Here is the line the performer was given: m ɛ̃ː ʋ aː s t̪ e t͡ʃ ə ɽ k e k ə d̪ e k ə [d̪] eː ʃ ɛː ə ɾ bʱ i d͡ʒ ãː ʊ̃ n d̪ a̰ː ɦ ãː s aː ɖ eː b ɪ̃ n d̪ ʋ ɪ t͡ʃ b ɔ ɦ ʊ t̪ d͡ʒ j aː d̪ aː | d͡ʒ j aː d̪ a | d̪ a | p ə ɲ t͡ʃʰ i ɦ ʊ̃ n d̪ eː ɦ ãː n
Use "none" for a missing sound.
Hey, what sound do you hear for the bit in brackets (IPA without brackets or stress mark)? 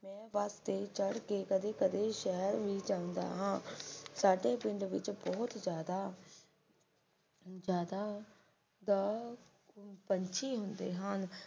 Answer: d̪